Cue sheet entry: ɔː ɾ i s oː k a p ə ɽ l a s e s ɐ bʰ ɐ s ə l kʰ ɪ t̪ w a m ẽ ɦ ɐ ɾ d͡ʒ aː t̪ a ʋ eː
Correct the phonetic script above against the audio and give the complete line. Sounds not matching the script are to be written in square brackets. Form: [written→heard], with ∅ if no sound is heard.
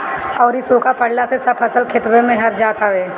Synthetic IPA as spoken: ɔː ɾ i s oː k a p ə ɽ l a s e s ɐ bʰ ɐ s ə l kʰ ɪ t̪ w [a→e] m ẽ ɦ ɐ ɾ d͡ʒ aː t̪ a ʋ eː